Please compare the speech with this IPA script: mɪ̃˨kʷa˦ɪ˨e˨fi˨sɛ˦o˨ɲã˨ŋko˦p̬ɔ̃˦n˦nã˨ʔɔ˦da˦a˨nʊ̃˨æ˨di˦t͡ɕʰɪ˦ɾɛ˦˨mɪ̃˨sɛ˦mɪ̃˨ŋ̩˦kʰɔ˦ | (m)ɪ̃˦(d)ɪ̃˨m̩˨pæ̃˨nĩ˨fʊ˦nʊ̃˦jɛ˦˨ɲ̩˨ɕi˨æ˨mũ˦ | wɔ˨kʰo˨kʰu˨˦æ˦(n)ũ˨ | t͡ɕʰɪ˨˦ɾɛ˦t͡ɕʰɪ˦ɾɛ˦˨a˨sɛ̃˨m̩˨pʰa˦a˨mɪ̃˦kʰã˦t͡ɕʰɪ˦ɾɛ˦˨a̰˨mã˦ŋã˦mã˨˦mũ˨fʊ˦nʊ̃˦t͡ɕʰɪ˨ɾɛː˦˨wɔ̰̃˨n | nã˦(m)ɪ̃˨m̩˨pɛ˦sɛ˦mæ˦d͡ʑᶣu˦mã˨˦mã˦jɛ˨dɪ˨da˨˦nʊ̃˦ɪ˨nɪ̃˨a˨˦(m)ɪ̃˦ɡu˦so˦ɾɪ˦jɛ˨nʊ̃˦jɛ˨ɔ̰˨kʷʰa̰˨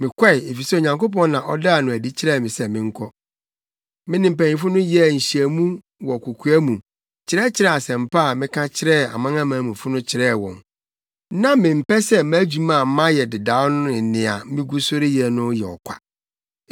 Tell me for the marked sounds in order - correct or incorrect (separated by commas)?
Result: correct, incorrect, incorrect, correct, correct